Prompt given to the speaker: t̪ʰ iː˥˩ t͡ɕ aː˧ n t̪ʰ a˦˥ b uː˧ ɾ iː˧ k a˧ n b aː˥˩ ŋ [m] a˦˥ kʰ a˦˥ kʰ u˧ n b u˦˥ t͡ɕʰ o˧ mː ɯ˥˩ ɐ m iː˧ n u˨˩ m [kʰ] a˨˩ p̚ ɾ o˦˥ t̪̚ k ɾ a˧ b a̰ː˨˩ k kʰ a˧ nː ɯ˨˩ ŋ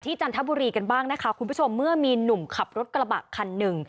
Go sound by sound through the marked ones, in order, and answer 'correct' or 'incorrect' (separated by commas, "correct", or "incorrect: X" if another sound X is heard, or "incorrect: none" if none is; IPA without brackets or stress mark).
incorrect: n, correct